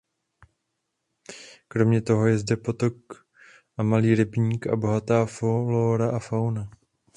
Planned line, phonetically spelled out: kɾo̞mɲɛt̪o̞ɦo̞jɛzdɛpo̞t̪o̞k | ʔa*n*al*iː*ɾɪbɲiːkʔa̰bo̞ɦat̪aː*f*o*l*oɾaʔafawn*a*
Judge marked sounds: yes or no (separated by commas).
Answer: no, yes, yes, yes, yes